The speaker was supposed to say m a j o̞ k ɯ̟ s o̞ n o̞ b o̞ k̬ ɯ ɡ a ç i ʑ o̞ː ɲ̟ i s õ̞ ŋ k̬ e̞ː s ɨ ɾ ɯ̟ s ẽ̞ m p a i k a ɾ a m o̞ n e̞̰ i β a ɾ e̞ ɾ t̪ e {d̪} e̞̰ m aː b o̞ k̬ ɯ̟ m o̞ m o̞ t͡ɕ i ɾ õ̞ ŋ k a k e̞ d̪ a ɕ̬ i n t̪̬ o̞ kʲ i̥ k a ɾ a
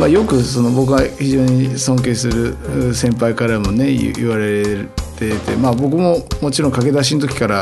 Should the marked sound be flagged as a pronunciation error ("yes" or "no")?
yes